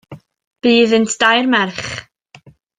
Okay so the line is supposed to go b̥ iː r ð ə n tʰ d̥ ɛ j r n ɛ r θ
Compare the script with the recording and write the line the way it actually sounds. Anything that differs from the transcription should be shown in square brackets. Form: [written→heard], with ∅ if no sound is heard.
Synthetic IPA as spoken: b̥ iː [r→∅] ð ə n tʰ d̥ [ɛ→a] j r [n→m] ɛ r [θ→χ]